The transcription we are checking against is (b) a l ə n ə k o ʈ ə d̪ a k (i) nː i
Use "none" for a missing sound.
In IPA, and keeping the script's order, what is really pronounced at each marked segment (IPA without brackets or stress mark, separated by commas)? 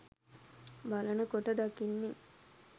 b, i